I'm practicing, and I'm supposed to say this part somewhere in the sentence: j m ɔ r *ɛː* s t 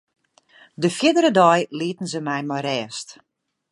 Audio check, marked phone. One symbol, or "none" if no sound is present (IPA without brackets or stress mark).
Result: ɛː